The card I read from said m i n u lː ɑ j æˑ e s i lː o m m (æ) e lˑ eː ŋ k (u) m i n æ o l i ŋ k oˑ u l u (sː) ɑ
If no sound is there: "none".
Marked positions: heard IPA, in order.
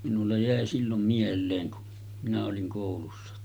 i, u, sː

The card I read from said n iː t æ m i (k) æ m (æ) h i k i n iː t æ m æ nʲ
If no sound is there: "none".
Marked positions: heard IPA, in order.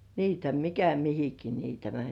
k, i

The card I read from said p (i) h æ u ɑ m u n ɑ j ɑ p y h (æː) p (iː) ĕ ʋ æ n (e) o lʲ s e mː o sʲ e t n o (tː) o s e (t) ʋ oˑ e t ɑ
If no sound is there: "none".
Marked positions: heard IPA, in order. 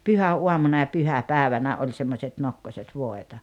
y, æ, æː, æ, kː, t

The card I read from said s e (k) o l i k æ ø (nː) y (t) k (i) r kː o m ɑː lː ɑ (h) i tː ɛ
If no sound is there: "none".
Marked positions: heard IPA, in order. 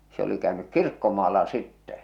none, n, k, i, s

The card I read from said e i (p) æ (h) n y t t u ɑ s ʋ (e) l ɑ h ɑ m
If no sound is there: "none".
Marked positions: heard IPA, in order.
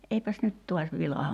p, s, i

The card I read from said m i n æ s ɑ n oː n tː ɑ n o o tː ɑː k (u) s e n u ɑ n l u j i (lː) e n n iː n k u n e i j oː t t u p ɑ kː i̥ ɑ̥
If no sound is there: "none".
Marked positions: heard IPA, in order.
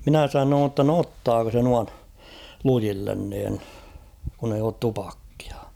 o, lː

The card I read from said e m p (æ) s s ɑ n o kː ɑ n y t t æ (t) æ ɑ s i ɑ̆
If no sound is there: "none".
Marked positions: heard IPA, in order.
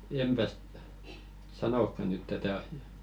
æ, t

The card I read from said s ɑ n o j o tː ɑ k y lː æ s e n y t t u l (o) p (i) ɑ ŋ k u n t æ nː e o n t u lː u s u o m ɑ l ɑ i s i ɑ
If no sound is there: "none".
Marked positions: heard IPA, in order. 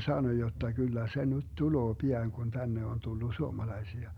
oː, i

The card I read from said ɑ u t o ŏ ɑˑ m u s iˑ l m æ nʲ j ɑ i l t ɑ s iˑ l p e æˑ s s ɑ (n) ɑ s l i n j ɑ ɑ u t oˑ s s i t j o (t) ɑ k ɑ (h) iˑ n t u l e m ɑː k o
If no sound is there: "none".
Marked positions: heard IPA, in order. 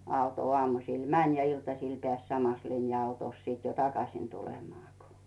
m, t, s

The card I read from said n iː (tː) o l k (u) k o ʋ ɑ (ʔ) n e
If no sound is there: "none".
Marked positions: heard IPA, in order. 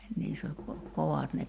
sː, o, t

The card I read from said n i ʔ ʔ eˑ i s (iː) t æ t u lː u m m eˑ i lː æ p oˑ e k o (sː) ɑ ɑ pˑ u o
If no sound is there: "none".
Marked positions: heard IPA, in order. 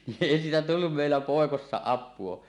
iː, sː

